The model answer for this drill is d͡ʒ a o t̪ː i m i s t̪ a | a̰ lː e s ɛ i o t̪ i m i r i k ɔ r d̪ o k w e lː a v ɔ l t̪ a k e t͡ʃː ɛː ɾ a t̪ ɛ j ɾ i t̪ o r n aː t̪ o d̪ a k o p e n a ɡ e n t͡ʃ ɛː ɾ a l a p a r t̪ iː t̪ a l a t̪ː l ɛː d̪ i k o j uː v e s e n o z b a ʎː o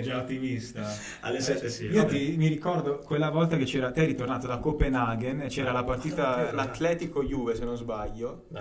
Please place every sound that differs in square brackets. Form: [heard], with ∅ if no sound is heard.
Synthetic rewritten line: d͡ʒ a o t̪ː i m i s t̪ a | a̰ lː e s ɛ i o t̪ i m i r i k ɔ r d̪ o k w e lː a v ɔ l t̪ a k e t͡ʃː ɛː ɾ a t̪ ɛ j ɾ i t̪ o r n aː t̪ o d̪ a k o p e n a ɡ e n t͡ʃ ɛː ɾ a l a p a r t̪ iː t̪ a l a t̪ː l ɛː [t̪] i k o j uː v e s e n o z b a ʎː o